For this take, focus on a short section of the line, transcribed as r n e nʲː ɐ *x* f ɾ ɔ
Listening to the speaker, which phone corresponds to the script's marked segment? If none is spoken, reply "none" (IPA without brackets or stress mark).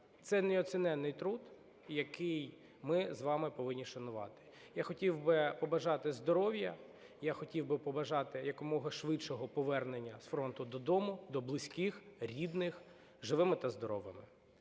s